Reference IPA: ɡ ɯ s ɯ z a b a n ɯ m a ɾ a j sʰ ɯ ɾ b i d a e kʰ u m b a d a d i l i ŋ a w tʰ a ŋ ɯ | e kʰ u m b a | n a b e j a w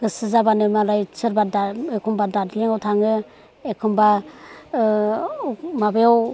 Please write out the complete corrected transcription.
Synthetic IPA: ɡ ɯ s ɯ z a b a n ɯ m a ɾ a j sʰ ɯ ɾ b a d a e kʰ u m b a d a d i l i ŋ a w tʰ a ŋ ɯ | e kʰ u m b a | m a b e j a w